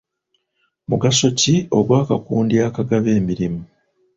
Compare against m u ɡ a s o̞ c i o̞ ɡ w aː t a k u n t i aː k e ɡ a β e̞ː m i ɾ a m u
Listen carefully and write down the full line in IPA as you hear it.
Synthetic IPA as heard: m u ɡ a s o̞ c i o̞ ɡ w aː k a k uː n d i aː k a ɡ a β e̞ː m i ɾ i m u